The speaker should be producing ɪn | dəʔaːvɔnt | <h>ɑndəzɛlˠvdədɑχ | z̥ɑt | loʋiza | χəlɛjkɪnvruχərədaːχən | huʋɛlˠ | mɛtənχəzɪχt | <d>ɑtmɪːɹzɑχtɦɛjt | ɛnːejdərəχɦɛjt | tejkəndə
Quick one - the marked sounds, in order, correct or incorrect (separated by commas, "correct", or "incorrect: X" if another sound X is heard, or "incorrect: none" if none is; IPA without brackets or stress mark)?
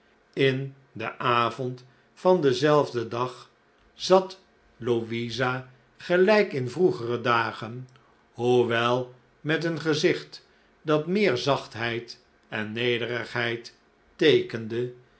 incorrect: f, correct